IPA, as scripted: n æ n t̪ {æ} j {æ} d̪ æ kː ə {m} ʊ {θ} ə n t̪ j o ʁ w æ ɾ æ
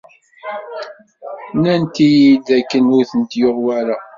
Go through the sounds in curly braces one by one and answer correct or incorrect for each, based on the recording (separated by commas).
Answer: incorrect, incorrect, incorrect, correct